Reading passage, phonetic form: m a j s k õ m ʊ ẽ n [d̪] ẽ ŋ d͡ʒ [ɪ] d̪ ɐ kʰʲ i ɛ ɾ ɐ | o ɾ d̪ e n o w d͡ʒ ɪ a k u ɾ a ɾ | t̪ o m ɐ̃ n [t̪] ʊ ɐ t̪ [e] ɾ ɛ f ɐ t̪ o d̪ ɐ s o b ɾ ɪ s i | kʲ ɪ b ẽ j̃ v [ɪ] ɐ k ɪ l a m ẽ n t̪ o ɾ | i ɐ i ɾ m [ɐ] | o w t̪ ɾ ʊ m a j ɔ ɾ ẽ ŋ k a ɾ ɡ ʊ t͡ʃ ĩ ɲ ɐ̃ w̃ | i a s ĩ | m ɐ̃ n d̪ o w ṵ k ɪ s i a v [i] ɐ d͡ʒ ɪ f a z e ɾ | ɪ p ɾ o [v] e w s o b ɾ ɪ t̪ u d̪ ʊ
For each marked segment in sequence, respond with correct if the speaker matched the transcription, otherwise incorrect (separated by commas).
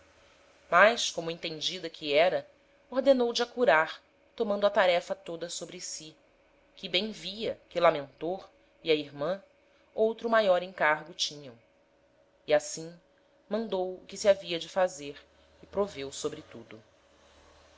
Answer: incorrect, incorrect, incorrect, incorrect, incorrect, incorrect, correct, correct